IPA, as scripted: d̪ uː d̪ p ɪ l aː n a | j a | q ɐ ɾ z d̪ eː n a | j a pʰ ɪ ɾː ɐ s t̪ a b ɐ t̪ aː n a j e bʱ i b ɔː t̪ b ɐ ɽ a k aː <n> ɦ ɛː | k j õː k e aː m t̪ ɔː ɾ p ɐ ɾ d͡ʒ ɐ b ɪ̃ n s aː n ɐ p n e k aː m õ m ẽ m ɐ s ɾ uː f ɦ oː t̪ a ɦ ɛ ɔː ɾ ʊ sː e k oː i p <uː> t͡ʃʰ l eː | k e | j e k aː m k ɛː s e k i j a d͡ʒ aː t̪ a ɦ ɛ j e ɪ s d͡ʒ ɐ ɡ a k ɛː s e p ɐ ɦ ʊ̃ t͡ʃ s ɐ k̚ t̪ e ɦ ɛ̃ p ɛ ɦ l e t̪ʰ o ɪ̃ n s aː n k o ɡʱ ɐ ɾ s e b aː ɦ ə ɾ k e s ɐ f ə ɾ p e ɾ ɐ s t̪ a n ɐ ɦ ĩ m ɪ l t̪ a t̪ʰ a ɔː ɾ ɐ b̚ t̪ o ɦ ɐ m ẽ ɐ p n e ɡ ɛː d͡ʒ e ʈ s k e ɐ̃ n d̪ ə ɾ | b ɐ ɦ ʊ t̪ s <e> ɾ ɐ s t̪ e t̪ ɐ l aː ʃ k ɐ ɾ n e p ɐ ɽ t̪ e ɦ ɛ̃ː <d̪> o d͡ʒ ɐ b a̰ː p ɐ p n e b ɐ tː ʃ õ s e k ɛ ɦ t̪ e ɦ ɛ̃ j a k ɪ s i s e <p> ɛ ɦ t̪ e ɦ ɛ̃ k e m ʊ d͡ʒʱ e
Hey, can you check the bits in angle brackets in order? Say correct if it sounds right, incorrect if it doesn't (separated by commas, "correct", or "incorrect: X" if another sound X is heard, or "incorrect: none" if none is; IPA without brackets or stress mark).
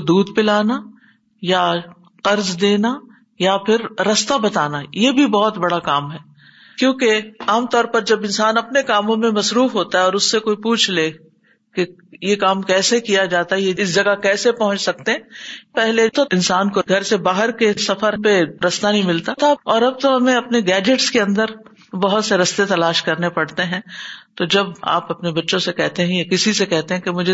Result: incorrect: m, correct, correct, incorrect: t̪, incorrect: k